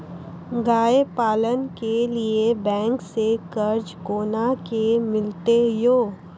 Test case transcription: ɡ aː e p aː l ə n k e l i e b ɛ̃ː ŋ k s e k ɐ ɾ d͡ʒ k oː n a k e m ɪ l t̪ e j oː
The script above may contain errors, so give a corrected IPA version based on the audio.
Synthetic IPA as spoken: ɡ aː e p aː l ə n k e l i e b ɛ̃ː ŋ k s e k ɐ ɾ d͡ʒ k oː n a k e m ɪ l t̪ e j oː